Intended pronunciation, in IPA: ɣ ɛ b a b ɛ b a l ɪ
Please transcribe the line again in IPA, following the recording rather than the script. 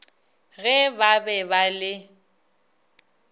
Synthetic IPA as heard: ɣ ɛ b a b ɛ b a l ɪ